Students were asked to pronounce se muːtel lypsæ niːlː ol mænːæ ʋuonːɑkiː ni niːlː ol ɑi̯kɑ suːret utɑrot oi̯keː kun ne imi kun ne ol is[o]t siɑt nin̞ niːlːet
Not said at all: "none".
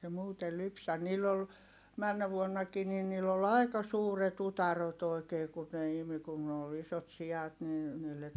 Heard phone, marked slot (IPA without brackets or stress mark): o